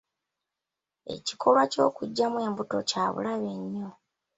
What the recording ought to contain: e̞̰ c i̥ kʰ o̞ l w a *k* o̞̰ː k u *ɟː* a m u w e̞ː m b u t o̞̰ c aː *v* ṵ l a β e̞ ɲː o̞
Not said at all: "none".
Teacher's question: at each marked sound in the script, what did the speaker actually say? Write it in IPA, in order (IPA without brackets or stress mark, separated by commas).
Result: c, ɟː, β